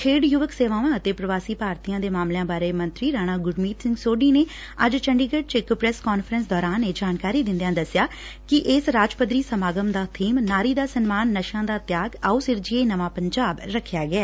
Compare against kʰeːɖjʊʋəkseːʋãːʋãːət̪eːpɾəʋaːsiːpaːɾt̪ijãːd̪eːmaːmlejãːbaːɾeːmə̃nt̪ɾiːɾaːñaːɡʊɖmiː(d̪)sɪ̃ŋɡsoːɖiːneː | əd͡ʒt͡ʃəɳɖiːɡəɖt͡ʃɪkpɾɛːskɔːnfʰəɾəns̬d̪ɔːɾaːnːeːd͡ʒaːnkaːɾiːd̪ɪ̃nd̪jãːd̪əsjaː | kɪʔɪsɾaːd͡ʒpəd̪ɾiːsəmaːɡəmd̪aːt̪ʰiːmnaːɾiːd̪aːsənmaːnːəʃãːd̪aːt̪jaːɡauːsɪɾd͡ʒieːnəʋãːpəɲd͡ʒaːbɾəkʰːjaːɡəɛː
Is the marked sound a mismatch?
yes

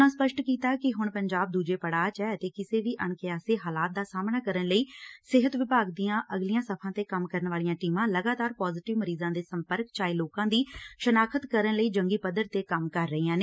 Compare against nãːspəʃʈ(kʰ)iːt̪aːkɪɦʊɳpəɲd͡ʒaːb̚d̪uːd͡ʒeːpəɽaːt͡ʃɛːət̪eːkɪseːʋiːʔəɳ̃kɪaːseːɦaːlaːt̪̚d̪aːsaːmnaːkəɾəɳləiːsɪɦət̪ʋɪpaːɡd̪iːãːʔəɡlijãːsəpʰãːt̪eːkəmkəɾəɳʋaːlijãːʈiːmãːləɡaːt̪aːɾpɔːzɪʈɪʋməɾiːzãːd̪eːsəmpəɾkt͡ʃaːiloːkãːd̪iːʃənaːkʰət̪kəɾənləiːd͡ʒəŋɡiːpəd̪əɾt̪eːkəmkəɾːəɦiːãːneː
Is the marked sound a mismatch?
yes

